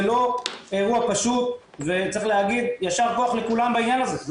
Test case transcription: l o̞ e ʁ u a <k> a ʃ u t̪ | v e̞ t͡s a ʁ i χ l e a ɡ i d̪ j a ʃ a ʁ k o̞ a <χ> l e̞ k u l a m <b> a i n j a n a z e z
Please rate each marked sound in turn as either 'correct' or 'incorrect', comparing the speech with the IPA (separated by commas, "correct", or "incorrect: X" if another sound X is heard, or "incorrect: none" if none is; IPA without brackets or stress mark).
incorrect: p, correct, correct